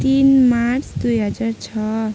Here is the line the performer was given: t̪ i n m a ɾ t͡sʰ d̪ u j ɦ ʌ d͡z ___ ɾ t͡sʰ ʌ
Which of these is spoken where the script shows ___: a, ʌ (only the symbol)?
a